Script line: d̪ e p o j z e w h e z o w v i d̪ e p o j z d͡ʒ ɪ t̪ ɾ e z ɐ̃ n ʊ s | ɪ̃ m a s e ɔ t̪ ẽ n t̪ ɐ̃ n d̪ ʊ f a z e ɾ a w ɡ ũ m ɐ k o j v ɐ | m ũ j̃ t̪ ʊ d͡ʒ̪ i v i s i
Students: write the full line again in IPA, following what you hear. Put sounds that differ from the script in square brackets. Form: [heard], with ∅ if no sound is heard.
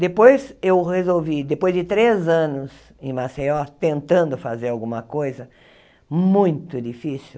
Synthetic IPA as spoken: d̪ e p o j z e w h e z o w v i d̪ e p o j z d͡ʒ ɪ t̪ ɾ e z ɐ̃ n ʊ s | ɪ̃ m a s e ɔ t̪ ẽ n t̪ ɐ̃ n d̪ ʊ f a z e ɾ a w ɡ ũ m ɐ k o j [z] ɐ | m ũ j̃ t̪ ʊ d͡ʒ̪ i [f] i s i